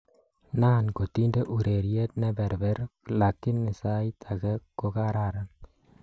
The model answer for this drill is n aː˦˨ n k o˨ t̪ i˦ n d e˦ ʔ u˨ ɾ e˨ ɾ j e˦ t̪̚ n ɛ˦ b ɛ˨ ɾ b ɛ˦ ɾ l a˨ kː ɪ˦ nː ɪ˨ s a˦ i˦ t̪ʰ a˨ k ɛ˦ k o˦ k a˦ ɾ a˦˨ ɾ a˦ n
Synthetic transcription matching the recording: n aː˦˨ n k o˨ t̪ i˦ n d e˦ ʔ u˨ ɾ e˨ ɾ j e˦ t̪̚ n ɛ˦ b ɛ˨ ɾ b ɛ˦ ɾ l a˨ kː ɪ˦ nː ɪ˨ s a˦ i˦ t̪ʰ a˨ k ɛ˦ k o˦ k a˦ ɾ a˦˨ ɾ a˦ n